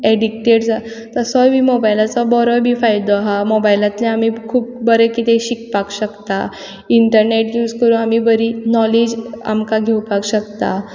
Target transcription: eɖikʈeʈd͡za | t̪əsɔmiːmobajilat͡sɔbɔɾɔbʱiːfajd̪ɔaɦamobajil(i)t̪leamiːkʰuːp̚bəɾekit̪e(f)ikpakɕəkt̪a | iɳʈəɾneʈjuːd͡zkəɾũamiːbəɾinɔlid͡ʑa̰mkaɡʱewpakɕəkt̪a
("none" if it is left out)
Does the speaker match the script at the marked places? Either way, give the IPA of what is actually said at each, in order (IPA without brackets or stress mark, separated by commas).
a, ɕ